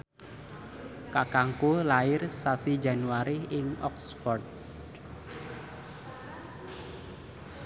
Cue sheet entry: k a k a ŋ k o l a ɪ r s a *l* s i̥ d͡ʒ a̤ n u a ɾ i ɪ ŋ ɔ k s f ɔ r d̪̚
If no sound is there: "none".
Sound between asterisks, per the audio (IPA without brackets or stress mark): none